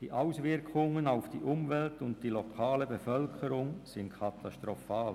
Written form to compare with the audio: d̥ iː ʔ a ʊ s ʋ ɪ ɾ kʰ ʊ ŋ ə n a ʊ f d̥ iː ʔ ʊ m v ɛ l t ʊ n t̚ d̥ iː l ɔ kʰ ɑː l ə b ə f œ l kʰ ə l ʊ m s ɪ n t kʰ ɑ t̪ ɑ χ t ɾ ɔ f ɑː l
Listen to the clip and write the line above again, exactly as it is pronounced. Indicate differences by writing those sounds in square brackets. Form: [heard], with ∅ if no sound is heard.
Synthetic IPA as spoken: d̥ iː ʔ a ʊ s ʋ ɪ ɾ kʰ ʊ ŋ ə n a ʊ f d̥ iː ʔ ʊ m v ɛ l t ʊ n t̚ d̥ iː l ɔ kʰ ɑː l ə b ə f œ l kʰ ə [ɾ] ʊ [ŋ] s ɪ n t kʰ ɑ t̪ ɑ [ʃ] t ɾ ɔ f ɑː l